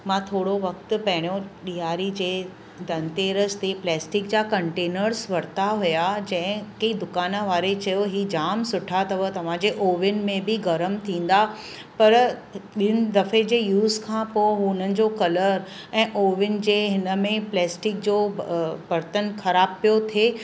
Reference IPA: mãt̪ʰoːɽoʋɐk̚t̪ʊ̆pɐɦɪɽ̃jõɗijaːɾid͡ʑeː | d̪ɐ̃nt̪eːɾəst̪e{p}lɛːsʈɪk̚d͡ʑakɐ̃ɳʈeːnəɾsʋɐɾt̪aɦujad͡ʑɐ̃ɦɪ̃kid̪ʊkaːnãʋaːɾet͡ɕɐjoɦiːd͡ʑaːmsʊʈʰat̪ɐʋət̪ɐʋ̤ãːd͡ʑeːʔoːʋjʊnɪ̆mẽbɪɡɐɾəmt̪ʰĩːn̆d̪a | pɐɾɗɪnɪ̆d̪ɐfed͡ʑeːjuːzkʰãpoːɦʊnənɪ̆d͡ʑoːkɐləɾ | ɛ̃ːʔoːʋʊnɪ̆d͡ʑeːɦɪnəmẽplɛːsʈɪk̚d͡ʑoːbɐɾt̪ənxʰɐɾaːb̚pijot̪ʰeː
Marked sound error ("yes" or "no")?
no